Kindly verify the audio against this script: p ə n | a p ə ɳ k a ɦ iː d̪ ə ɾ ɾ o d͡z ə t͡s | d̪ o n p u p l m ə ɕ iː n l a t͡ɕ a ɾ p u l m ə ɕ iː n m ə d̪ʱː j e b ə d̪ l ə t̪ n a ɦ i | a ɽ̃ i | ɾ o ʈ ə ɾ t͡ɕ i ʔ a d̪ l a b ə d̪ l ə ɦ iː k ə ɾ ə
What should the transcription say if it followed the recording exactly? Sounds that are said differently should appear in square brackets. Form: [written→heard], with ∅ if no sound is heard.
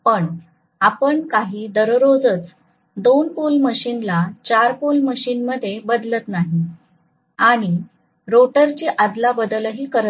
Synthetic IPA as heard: p ə [n→ɳ] | a p ə ɳ k a ɦ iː d̪ ə ɾ ɾ o d͡z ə t͡s | d̪ o n p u [p→∅] l m ə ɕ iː n l a t͡ɕ a ɾ p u l m ə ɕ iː n m ə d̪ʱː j e b ə d̪ l ə t̪ n a ɦ i | a ɽ̃ i | ɾ o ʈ ə ɾ t͡ɕ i ʔ a d̪ l a b ə d̪ l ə ɦ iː k ə ɾ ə

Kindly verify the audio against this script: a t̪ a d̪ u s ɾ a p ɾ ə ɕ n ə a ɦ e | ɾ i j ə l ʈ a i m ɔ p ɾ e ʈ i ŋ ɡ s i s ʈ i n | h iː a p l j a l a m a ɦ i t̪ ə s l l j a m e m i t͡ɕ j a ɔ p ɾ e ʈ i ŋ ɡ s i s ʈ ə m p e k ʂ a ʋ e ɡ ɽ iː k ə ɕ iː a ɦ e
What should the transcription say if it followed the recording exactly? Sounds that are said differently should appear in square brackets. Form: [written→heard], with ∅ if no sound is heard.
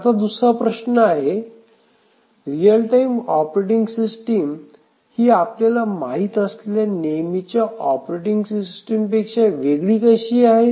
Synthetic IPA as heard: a t̪ a d̪ u s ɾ a p ɾ ə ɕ n ə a ɦ e | ɾ i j ə l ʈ a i m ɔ p ɾ e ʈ i ŋ ɡ s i s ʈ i [n→m] | h iː a p l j a l a m a ɦ i t̪ ə s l l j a [m→n] e m i t͡ɕ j a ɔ p ɾ e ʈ i ŋ ɡ s i s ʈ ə m p e k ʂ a ʋ e ɡ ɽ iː k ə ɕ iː a ɦ e

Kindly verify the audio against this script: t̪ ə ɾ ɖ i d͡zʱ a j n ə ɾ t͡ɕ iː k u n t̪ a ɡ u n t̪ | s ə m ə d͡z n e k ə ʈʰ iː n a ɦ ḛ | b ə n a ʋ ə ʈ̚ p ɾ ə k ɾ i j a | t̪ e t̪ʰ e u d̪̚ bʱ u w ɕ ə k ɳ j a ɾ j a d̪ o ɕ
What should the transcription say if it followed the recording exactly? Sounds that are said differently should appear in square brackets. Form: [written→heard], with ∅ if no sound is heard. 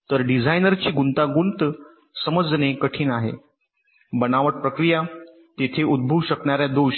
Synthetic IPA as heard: t̪ ə ɾ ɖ i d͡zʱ a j n ə ɾ t͡ɕ iː [k→ɡ] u n t̪ a ɡ u n t̪ | s ə m ə d͡z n e k ə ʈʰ iː n a ɦ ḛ | b ə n a ʋ ə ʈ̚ p ɾ ə k ɾ i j a | t̪ e t̪ʰ e u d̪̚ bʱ u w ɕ ə k ɳ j a ɾ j a d̪ o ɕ

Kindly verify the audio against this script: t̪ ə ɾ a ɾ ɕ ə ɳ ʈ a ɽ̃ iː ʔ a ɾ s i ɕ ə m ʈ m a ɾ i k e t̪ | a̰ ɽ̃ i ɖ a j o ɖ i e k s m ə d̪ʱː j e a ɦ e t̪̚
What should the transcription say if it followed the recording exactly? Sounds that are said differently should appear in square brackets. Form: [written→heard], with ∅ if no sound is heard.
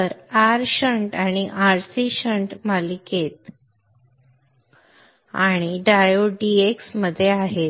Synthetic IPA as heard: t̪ ə ɾ a ɾ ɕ ə ɳ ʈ a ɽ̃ [iː→i] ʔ a ɾ s i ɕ ə [m→ɳ] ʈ m a [ɾ→l] i k e t̪ | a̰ ɽ̃ i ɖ a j o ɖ i e k s m ə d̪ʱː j e a ɦ e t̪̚

